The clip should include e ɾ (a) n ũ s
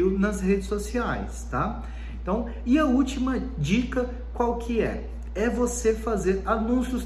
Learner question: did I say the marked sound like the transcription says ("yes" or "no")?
yes